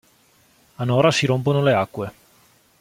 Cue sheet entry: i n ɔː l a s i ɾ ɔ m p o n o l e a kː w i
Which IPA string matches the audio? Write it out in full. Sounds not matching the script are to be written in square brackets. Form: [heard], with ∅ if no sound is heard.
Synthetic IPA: [a] n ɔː [ɾ] a s i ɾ [o] m p o n o l e a kː w [e]